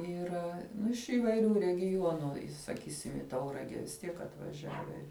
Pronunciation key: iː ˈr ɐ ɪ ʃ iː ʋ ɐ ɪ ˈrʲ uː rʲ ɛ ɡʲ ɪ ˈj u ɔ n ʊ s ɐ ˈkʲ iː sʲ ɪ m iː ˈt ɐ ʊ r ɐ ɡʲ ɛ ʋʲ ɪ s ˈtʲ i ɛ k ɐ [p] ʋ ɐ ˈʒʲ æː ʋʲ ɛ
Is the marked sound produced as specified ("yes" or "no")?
no